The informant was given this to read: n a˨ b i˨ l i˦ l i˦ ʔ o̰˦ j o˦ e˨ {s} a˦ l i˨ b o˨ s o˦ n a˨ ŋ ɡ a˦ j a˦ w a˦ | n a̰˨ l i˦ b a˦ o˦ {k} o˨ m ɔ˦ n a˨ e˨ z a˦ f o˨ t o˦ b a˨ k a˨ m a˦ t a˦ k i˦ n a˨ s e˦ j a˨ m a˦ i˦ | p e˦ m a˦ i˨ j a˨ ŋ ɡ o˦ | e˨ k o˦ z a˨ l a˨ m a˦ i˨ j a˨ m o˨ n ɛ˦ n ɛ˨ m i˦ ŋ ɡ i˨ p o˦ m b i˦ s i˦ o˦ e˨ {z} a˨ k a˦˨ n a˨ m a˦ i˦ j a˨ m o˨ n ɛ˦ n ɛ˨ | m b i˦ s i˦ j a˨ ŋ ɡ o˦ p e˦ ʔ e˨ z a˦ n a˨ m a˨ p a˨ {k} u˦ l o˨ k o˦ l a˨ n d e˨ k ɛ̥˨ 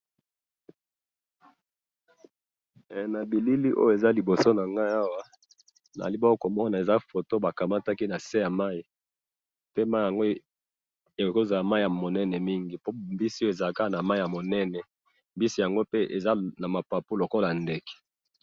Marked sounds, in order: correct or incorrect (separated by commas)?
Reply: incorrect, correct, correct, incorrect